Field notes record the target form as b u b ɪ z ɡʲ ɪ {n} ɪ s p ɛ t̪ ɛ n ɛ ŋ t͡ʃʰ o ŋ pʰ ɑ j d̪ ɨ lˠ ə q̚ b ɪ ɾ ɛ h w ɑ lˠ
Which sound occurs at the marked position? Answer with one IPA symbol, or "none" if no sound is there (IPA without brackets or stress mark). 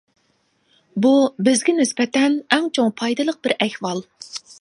n